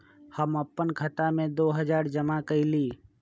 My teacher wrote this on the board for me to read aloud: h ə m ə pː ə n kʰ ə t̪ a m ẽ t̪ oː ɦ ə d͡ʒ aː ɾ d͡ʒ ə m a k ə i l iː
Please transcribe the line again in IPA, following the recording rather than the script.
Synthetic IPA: h ə m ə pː ə n kʰ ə t̪ a m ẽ d̪ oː ɦ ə d͡ʒ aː ɾ d͡ʒ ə m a k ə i l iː